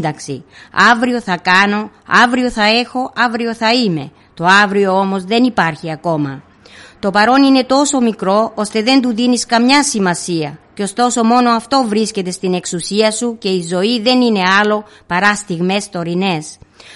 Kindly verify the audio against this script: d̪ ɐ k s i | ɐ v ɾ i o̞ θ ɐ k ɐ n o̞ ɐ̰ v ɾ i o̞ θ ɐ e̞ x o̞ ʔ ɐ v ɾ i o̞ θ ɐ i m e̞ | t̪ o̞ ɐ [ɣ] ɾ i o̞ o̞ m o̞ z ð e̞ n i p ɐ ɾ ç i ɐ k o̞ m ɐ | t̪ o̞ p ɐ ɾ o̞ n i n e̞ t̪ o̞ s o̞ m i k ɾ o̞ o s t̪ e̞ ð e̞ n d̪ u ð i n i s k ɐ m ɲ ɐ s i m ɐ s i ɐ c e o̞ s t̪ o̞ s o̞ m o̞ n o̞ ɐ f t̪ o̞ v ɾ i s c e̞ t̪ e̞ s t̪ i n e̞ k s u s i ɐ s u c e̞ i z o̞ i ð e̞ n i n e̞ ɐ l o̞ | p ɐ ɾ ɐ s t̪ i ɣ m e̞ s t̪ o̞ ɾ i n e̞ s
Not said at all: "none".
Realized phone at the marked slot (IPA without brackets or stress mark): v